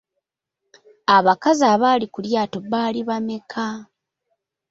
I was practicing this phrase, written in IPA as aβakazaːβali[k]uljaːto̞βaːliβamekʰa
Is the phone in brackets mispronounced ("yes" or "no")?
no